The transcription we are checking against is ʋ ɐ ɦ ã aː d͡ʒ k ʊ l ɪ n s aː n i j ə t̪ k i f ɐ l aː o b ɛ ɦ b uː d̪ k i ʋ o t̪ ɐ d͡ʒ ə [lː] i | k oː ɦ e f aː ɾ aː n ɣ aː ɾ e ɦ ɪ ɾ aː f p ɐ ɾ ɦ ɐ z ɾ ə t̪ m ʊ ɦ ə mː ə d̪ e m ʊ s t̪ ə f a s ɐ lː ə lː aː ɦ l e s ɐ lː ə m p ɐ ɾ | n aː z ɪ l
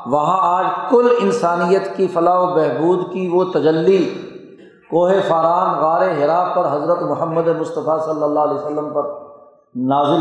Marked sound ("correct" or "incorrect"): correct